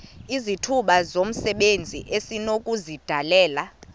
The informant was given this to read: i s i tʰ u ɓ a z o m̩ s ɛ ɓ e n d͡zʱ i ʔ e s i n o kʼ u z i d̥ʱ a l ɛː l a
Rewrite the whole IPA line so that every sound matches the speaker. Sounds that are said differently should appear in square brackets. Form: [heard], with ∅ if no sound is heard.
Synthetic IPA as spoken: i [z] i tʰ u ɓ a z o m̩ s ɛ ɓ e n d͡zʱ i ʔ e s i n o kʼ u z i d̥ʱ a l ɛː l a